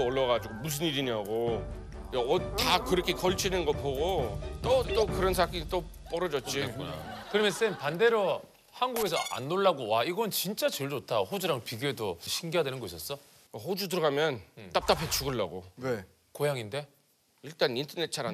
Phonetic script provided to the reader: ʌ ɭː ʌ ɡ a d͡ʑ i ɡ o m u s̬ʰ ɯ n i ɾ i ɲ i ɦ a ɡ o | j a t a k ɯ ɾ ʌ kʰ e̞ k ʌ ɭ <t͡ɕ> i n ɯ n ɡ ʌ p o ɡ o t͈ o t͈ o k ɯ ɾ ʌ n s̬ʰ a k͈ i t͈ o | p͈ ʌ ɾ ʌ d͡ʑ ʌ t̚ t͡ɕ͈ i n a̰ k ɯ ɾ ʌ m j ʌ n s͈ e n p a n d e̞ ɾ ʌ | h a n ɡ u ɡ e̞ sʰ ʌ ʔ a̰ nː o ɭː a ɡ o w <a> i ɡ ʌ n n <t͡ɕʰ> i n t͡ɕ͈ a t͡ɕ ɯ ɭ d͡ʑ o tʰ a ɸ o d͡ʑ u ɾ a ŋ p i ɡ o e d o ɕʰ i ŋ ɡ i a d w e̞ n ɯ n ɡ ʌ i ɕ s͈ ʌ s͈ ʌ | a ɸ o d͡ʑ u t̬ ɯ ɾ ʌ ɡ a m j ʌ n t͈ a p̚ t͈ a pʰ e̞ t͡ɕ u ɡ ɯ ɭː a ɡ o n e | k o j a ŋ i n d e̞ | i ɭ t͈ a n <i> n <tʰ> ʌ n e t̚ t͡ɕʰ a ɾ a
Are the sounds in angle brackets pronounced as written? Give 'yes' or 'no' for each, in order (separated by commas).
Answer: no, yes, no, yes, yes